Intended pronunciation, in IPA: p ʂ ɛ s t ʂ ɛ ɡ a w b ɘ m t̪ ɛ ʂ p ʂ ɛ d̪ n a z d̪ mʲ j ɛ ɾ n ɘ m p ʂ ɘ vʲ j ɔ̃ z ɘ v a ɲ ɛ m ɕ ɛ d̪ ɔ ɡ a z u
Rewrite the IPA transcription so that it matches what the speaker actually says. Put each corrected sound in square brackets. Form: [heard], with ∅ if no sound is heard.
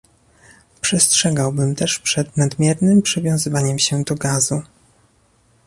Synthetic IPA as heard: p ʂ ɛ s t ʂ ɛ ɡ a w b ɘ m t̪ ɛ ʂ p ʂ ɛ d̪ n a [∅] d̪ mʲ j ɛ ɾ n ɘ m p ʂ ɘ vʲ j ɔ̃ z ɘ v a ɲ ɛ m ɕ ɛ d̪ ɔ ɡ a z u